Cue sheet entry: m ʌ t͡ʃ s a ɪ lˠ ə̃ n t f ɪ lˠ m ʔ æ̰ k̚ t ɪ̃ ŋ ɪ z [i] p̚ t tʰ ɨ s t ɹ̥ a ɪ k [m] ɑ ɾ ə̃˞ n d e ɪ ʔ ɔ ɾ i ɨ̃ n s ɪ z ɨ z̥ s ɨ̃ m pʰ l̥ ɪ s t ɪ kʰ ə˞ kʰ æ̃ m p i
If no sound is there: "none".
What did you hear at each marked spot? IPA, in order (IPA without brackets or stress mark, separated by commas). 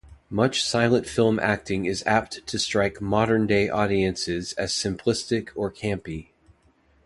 æ, m